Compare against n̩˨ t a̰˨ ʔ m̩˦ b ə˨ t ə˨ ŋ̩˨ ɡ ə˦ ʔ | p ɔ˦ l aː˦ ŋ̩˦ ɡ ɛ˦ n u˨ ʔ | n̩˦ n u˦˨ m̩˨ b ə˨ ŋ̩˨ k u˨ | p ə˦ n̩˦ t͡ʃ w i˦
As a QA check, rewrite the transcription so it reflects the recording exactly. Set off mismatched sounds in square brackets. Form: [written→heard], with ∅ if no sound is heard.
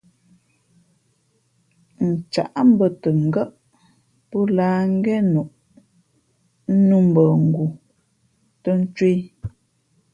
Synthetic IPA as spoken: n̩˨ [t→t͡ʃ] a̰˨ ʔ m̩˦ b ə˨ t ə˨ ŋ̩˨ ɡ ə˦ ʔ | p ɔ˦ l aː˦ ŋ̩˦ ɡ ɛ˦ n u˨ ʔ | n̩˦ n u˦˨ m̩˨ b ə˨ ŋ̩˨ [k→ɡ] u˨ | [p→t] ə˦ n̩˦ t͡ʃ w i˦